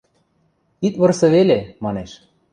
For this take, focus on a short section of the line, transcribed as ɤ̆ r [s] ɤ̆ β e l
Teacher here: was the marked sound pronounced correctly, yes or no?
yes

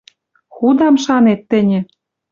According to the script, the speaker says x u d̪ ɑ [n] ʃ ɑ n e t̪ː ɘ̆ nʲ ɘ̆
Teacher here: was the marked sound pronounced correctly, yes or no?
no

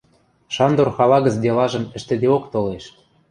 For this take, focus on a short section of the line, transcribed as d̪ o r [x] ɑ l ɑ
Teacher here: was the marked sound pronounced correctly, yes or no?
yes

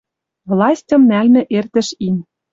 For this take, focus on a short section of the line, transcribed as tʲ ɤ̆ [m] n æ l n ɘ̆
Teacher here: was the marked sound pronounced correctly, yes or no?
yes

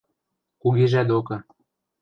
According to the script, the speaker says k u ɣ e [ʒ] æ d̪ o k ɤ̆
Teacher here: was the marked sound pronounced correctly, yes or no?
yes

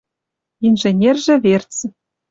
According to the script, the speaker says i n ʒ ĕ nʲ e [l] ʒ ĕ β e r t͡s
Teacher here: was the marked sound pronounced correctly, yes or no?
no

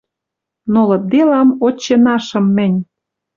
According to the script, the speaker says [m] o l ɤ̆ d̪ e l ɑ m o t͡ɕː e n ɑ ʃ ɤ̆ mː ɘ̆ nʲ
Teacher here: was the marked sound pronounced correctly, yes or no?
no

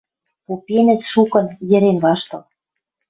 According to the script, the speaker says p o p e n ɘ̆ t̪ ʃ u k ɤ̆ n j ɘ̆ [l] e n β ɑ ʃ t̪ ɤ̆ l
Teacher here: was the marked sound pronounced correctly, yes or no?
no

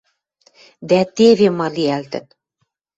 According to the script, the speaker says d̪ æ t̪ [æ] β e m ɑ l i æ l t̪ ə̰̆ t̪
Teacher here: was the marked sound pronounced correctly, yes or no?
no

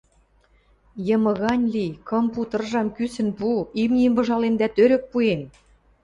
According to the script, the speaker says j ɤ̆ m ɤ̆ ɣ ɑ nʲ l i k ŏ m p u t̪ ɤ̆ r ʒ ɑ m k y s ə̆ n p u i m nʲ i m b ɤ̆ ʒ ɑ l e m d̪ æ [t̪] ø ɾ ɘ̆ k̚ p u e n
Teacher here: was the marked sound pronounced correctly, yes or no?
yes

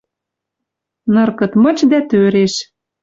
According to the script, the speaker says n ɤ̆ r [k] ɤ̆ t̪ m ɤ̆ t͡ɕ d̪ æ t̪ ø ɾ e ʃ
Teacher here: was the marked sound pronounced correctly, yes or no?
yes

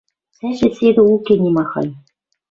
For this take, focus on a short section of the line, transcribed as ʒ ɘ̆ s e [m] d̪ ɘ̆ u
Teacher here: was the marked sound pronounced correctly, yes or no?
no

